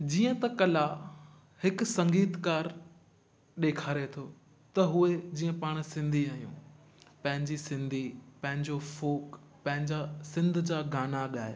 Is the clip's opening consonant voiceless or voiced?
voiced